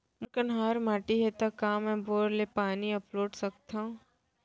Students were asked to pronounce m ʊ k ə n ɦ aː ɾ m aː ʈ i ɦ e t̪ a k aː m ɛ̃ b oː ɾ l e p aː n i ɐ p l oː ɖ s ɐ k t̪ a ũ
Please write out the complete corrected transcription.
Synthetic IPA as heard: m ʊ k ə n ɦ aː ɾ m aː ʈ i ɦ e t̪ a k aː m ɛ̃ b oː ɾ l e p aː n i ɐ p l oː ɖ s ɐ k t̪ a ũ

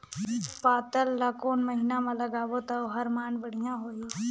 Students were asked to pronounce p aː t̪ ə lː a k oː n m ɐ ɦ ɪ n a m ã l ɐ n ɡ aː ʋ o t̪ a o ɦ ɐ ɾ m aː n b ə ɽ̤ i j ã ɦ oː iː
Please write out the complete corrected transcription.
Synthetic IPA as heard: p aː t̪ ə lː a k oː n m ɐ ɦ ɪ n a m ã l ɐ ɡ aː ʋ o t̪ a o ɦ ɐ ɾ m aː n b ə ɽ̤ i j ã ɦ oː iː

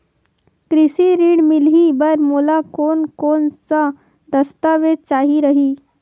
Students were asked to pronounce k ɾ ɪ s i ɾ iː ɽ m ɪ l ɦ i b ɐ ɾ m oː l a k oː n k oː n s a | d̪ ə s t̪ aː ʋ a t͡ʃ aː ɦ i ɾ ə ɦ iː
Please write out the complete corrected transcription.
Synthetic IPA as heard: k ɾ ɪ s i ɾ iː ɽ m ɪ l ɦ i b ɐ ɾ m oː l a k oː n k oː n s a | d̪ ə s t̪ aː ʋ e t͡ʃ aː ɦ i ɾ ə ɦ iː

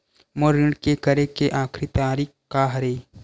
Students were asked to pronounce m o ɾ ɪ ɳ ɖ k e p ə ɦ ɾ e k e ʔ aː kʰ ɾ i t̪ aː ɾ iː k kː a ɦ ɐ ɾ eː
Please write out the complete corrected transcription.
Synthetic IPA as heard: m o ɾ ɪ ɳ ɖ k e k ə ɾ e k e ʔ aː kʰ ɾ i t̪ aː ɾ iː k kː a ɦ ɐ ɾ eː

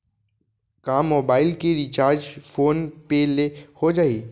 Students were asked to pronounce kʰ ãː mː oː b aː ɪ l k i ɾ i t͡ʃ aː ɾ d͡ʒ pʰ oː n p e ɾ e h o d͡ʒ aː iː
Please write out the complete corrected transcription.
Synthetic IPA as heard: k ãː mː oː b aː ɪ l k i ɾ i t͡ʃ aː ɾ d͡ʒ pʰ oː n p e l e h o d͡ʒ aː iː

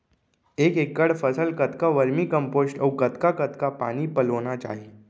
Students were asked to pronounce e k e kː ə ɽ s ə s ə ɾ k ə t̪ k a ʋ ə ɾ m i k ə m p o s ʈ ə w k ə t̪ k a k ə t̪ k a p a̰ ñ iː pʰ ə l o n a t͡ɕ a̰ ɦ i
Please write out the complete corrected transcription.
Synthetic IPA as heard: e k e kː ə ɽ f ə s ə l k ə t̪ k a ʋ ə ɾ m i k ə m p o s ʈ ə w k ə t̪ k a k ə t̪ k a p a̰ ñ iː p ə l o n a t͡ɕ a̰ ɦ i

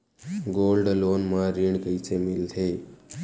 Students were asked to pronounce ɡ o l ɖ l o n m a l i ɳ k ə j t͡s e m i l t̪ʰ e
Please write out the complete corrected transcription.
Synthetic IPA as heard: ɡ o l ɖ l o n m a ɾ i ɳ k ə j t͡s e m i l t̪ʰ e

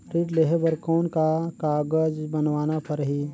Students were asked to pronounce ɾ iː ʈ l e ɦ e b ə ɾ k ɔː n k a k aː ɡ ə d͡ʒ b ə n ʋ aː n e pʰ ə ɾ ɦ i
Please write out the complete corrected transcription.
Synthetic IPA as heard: ɾ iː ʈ l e ɦ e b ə ɾ k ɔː n k a k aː ɡ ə d͡ʒ b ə n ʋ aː n a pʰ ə ɾ ɦ i

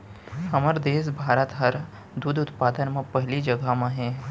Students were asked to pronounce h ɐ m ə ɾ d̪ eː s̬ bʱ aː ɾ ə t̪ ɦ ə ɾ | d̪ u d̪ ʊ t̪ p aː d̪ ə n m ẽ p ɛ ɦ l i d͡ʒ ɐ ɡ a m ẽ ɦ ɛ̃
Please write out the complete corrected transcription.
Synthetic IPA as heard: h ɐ m ə ɾ d̪ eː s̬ bʱ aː ɾ ə t̪ ɦ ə ɾ | d̪ u d̪ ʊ t̪ p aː d̪ ə n m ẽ p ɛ ɦ l i d͡ʒ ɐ ɡ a m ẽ ɦ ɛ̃

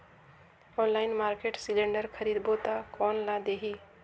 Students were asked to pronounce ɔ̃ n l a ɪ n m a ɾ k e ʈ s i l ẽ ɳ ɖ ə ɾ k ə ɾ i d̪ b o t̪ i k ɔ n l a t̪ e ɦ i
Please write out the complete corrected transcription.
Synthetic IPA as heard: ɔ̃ n l a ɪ n m a ɾ k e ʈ s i l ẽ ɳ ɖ ə ɾ kʰ ə ɾ i d̪ b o t̪ a k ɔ n l a d̪ e ɦ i

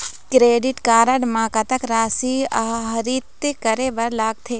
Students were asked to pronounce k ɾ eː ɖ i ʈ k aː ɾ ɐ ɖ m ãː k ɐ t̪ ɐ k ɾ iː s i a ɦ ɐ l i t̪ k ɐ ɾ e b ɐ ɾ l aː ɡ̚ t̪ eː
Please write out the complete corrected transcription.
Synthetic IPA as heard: k ɾ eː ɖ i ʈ k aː ɾ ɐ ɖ m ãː k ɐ t̪ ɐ k ɾ aː s i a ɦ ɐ ɾ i t̪ k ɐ ɾ e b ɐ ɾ l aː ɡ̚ t̪ʰ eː

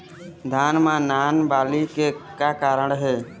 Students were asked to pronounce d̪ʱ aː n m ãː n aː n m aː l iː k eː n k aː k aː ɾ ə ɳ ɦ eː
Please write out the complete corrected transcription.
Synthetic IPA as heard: d̪ʱ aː n m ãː n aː n b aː l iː k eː k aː k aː ɾ ə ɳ ɦ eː

